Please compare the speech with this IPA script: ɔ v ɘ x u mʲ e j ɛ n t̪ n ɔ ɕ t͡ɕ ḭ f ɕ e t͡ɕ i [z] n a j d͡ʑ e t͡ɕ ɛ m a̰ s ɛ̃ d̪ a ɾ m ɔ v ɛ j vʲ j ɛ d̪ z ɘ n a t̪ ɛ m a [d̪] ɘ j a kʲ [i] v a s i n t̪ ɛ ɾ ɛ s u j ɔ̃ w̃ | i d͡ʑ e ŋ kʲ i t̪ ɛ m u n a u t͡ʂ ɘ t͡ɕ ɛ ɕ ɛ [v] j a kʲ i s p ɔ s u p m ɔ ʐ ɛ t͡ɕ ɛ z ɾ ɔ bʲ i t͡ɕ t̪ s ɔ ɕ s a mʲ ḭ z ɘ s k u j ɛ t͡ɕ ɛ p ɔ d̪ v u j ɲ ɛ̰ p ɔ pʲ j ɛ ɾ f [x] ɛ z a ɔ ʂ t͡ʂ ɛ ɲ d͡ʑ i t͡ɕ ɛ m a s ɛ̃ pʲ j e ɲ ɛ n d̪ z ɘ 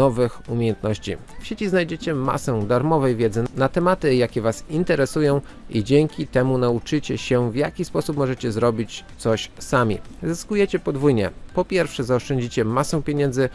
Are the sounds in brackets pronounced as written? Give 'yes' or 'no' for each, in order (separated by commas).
yes, no, no, yes, no